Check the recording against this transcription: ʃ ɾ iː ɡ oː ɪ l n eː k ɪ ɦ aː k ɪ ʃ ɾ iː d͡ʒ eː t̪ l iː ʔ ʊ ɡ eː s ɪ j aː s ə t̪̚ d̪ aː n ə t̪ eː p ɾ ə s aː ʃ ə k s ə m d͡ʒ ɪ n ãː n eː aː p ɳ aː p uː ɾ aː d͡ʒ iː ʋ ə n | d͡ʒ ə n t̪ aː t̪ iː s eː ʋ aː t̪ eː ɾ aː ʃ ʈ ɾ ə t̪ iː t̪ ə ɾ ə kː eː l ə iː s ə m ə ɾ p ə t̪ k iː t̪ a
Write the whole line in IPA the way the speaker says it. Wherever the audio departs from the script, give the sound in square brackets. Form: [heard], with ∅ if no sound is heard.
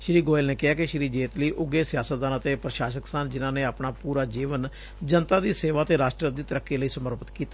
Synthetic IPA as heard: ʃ ɾ iː ɡ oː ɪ l n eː k ɪ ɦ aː k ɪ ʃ ɾ iː d͡ʒ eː t̪ l iː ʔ ʊ ɡ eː s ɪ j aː s ə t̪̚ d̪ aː n ə t̪ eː p ɾ ə [ʃ] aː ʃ ə k s ə [n] d͡ʒ ɪ n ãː n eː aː p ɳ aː p uː ɾ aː d͡ʒ iː ʋ ə n | d͡ʒ ə n t̪ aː [d̪] iː s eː ʋ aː t̪ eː ɾ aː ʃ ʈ ɾ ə [d̪] iː t̪ ə ɾ ə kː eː l ə iː s ə m ə ɾ p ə t̪ k iː t̪ a

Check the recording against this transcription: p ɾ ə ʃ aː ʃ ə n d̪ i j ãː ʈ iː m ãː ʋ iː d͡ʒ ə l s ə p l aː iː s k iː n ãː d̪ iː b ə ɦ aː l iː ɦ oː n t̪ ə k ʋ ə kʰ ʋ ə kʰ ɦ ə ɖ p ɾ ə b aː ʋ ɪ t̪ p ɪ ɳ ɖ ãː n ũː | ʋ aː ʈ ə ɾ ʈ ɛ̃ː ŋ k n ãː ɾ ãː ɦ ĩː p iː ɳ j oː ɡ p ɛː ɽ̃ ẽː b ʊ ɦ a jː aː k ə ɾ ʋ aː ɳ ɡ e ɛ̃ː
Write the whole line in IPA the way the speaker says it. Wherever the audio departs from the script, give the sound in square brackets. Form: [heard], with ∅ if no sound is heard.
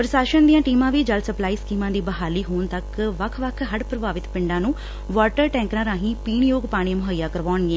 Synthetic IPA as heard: p ɾ ə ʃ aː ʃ ə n d̪ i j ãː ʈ iː m ãː ʋ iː d͡ʒ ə l s ə p l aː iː s k iː [m] ãː d̪ iː b ə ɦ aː l iː ɦ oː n t̪ ə k ʋ ə kʰ ʋ ə kʰ ɦ ə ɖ p ɾ ə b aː ʋ ɪ t̪ p ɪ ɳ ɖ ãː n ũː | ʋ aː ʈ ə ɾ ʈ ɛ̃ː ŋ k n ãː ɾ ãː ɦ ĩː p iː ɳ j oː ɡ p [aː] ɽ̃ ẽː [m] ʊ ɦ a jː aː k ə ɾ ʋ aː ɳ ɡ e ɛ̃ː

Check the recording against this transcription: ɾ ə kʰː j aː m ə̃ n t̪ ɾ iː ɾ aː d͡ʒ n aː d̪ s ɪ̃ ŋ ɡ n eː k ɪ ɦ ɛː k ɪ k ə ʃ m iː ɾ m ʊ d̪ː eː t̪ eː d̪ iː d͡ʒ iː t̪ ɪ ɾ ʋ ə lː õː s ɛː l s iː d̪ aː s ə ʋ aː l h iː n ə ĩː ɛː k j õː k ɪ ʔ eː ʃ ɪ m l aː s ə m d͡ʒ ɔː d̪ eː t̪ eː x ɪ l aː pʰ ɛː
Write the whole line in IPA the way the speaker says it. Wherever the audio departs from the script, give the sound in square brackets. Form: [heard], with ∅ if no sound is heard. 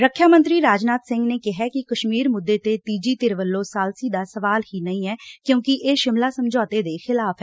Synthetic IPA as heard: ɾ ə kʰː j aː m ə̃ n t̪ ɾ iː ɾ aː d͡ʒ n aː [t̪] s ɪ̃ ŋ ɡ n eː k ɪ ɦ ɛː k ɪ k ə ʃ m iː ɾ m ʊ d̪ː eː t̪ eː [t̪] iː d͡ʒ iː t̪ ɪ ɾ ʋ ə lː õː s [aː] l s iː d̪ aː s ə ʋ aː l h iː n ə ĩː ɛː k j õː k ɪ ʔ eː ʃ ɪ m l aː s ə m d͡ʒ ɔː [t̪] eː [d̪] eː x ɪ l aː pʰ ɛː

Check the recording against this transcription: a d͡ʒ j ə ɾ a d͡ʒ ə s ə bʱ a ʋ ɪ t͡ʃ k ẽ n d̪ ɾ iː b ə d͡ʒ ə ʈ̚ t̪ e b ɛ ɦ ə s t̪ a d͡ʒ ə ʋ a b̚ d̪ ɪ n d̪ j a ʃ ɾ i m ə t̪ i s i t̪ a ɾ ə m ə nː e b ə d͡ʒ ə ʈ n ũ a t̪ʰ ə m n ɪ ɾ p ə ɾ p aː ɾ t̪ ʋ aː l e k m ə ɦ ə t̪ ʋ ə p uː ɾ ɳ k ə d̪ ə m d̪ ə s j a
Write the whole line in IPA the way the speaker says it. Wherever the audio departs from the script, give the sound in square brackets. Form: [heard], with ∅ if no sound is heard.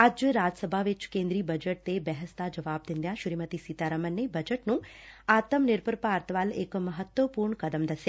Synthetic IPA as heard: a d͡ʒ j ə ɾ a d͡ʒ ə s ə bʱ a ʋ ɪ t͡ʃ k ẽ n d̪ ɾ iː b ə d͡ʒ ə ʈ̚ t̪ e b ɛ ɦ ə s t̪ a d͡ʒ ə ʋ a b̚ d̪ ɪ n d̪ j a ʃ ɾ i m ə t̪ i s i t̪ a ɾ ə m ə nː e b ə d͡ʒ ə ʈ n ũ a [t̪] ə m n ɪ ɾ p ə ɾ p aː ɾ t̪ ʋ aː l e k m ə ɦ ə t̪ ʋ ə p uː ɾ ɳ k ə d̪ ə m d̪ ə s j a

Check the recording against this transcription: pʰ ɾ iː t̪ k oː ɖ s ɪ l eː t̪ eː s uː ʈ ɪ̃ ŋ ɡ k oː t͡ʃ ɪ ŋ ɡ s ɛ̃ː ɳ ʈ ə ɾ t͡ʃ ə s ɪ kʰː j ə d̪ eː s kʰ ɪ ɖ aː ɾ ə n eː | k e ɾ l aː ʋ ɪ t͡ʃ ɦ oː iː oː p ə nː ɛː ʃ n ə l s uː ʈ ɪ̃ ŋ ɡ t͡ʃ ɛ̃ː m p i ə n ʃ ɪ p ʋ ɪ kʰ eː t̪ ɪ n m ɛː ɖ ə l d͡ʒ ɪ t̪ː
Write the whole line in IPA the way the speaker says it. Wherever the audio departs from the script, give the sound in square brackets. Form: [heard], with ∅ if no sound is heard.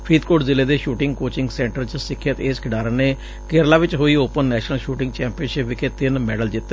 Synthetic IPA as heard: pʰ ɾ iː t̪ k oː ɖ [z] ɪ l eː [d̪] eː [ʃ] uː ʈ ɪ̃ ŋ ɡ k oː t͡ʃ ɪ ŋ ɡ s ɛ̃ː ɳ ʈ ə ɾ t͡ʃ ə s ɪ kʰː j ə [t̪] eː s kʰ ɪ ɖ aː ɾ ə n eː | k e ɾ l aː ʋ ɪ t͡ʃ ɦ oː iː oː p ə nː ɛː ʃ n ə l [ʃ] uː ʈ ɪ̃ ŋ ɡ t͡ʃ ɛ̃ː m p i ə n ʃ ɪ p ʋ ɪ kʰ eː t̪ ɪ n m ɛː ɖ ə l d͡ʒ ɪ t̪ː

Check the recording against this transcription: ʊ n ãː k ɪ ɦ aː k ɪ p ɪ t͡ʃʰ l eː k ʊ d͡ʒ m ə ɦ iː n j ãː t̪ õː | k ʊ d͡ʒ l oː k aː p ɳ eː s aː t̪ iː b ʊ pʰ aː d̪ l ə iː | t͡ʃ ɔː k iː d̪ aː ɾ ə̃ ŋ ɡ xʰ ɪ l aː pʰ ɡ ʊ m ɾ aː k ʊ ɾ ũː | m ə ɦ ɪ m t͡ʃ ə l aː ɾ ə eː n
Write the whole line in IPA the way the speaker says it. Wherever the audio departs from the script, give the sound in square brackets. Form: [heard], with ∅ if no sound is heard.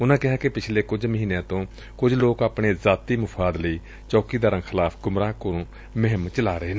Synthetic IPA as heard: ʊ n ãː k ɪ ɦ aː k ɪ p ɪ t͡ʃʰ l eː k ʊ d͡ʒ m ə ɦ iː n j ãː t̪ õː | k ʊ d͡ʒ l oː k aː p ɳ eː [z] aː t̪ iː [m] ʊ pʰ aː d̪ l ə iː | t͡ʃ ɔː k iː d̪ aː ɾ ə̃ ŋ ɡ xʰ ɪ l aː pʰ ɡ ʊ m ɾ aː k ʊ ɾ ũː | m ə ɦ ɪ m t͡ʃ ə l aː ɾ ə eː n

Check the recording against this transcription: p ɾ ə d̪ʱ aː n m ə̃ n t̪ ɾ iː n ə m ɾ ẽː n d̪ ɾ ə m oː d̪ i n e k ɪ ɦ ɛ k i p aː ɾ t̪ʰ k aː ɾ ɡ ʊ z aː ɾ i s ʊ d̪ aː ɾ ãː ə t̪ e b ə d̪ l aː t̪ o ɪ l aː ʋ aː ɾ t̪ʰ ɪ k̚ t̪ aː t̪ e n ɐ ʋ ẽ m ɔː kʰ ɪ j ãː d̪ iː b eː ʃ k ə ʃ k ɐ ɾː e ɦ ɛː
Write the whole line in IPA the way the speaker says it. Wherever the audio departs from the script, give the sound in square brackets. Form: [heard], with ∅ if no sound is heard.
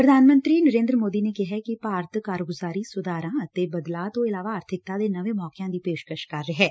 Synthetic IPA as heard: p ɾ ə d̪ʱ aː n m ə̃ n t̪ ɾ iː n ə [∅] ɾ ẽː n d̪ ɾ ə m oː d̪ i n e k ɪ ɦ ɛ k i p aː ɾ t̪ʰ k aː ɾ ɡ ʊ z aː ɾ i s ʊ d̪ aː ɾ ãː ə t̪ e b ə d̪ l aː t̪ o ɪ l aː ʋ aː ɾ t̪ʰ ɪ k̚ t̪ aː [d̪] e n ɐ ʋ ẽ m ɔː [k] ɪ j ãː d̪ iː [p] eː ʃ k ə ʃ k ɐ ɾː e ɦ ɛː

